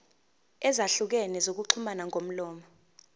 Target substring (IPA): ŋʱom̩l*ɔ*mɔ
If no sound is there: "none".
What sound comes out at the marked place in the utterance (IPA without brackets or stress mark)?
ɔː